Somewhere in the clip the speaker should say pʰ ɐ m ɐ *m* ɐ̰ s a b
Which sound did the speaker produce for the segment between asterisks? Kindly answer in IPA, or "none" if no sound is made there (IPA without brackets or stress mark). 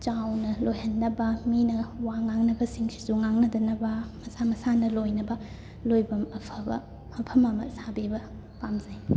m